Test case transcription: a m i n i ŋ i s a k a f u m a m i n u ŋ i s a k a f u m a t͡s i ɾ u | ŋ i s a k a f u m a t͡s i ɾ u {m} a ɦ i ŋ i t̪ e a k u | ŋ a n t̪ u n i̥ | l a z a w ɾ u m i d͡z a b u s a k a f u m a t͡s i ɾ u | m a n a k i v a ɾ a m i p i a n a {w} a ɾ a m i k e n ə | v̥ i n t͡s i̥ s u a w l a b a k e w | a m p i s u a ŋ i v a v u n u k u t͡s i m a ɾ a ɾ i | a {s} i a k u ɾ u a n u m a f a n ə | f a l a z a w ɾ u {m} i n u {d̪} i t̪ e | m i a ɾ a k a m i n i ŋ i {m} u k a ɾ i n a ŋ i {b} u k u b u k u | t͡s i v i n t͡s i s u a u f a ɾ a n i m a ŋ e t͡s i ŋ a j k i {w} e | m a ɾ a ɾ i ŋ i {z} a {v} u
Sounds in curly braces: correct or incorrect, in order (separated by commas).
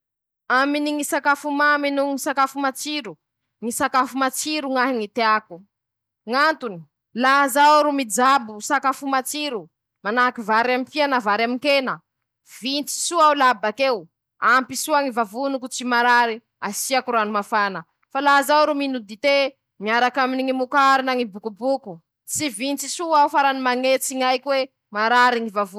incorrect, incorrect, correct, correct, correct, correct, correct, correct, incorrect, correct